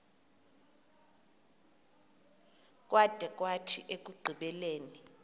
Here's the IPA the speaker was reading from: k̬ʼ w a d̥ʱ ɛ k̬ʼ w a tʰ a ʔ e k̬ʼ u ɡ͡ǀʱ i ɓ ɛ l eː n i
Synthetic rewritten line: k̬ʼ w a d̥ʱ ɛ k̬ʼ w a tʰ i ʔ e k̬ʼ u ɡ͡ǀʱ i ɓ ɛ l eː n i

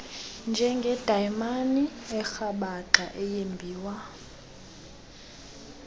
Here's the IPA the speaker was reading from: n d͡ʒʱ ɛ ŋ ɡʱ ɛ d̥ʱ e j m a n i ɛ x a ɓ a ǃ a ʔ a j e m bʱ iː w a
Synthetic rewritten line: n d͡ʒʱ ɛ ŋ ɡʱ ɛ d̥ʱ a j m a n i ɛ x a ɓ a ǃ a ʔ ɛ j e m bʱ iː w a

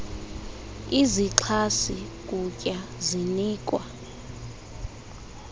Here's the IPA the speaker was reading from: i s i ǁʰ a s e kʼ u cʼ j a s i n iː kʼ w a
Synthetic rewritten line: i z i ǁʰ a s i kʼ u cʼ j a z i n iː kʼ w a

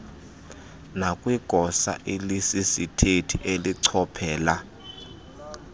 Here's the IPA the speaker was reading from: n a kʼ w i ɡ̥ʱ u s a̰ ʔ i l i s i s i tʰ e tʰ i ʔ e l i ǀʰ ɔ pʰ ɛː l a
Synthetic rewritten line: n a kʼ w i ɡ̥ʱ ɔ s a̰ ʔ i l i s i s i tʰ e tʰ i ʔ e l i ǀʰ ɔ pʰ ɛː l a

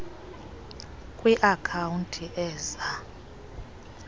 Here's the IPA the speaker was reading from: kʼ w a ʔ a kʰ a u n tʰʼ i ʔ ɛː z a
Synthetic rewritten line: kʼ w i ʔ a kʰ a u n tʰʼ i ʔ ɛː z a

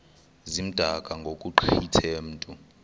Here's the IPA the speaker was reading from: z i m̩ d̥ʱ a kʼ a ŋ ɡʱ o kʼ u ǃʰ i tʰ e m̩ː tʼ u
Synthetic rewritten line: z i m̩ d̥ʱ a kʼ a ŋ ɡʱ o kʼ u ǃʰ i tʰ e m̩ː tʼ u

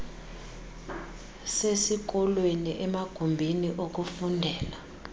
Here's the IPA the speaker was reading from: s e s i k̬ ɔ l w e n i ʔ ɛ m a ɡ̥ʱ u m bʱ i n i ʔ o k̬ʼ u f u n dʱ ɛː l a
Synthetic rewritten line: s e s i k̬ ɔ l w e n i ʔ ɛ m a ɡ̥ʱ u m bʱ i n i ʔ o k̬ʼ u f u n dʱ ɛː l a

